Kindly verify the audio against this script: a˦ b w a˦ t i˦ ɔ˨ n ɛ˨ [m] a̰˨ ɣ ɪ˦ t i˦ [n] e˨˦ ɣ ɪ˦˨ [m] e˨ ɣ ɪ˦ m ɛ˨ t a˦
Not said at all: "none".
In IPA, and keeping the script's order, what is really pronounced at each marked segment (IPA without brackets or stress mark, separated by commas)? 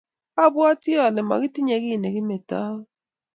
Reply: m, ɲ, n